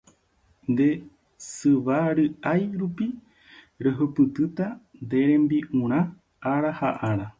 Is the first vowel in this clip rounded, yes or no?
no